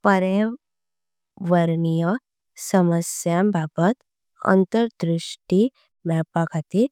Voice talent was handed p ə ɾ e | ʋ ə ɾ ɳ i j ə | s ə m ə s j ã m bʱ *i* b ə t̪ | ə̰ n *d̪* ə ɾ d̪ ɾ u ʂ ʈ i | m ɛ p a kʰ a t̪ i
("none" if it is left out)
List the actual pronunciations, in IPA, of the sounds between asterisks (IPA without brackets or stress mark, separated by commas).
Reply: a, t̪